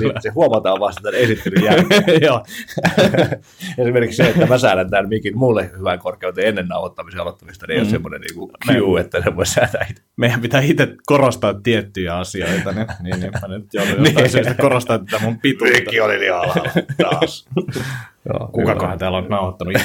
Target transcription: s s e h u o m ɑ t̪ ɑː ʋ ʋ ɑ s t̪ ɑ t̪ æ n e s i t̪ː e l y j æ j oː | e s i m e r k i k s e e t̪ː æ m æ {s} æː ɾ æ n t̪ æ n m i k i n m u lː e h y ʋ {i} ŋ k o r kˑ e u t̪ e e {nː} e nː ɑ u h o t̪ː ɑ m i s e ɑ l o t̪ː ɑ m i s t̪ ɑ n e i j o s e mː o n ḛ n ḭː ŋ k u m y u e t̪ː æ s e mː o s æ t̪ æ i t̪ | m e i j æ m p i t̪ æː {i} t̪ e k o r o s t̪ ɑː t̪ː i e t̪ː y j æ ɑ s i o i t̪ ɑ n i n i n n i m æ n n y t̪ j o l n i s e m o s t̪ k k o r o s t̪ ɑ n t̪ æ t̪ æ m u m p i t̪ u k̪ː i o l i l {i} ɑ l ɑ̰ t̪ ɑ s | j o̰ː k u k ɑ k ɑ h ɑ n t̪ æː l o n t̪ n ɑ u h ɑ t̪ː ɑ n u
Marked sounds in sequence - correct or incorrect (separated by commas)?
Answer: correct, incorrect, correct, correct, correct